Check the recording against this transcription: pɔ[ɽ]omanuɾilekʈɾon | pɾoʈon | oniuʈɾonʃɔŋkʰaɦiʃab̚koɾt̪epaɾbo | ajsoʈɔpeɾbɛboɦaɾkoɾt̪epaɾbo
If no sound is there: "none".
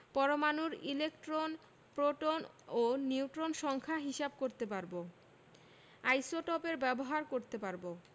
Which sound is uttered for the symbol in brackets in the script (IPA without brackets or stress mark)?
ɾ